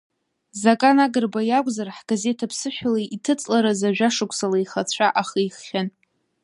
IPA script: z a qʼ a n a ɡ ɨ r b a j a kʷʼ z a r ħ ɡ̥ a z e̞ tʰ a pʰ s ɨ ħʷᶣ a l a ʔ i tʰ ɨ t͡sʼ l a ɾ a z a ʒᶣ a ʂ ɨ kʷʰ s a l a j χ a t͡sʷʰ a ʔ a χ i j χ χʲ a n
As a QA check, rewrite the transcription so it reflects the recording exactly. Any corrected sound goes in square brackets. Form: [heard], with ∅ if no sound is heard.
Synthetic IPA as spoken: z a [kʼ] a n a ɡ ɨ r b a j a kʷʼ z a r ħ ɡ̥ a z e̞ tʰ a pʰ s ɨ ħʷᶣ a l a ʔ i tʰ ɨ t͡sʼ l a ɾ a z a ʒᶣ a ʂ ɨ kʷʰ s a l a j χ a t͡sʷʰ a ʔ a χ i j χ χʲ a n